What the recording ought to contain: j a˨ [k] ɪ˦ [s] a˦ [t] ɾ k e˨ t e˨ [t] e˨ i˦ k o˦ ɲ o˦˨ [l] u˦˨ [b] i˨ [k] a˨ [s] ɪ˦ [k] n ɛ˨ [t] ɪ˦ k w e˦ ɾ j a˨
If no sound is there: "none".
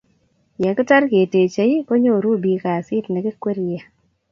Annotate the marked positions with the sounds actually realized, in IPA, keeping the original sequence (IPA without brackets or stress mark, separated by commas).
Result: k, t, none, t͡ʃ, ɾ, b, k, s, t, k